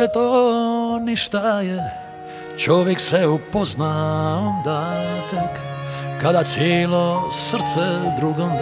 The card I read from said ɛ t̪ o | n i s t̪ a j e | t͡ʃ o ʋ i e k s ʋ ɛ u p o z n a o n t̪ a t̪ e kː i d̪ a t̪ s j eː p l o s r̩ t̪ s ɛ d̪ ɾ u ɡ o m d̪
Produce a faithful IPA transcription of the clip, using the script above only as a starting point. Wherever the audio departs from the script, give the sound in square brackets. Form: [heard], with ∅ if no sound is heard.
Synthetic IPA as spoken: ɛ t̪ o | n i [ʃ] t̪ a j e | t͡ʃ o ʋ [j] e k s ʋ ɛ u p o z n a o n [d̪] a t̪ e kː [a] d̪ a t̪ s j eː [∅] l o s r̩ t̪ s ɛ d̪ ɾ u ɡ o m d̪